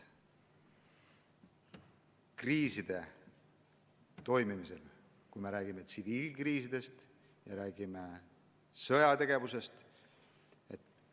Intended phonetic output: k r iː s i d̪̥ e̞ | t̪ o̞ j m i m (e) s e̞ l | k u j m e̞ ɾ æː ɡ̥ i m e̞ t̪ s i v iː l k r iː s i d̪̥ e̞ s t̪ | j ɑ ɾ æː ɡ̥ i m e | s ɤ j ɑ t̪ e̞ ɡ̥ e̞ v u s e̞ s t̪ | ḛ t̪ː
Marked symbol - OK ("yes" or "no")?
no